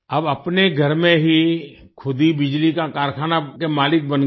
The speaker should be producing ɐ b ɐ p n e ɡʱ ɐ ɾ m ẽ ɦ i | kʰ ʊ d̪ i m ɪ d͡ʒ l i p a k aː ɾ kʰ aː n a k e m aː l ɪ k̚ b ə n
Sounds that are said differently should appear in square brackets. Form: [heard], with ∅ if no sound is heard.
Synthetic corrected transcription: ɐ b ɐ p n e ɡʱ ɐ ɾ m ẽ ɦ i | kʰ ʊ d̪ i [b] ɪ d͡ʒ l i [k] a k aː ɾ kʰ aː n a k e m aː l ɪ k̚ b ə n